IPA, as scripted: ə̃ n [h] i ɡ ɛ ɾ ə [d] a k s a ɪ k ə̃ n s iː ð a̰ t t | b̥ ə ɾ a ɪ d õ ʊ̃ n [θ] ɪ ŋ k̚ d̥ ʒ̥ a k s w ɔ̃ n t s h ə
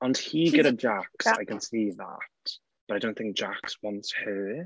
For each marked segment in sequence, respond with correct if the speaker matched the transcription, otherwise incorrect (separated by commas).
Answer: correct, incorrect, correct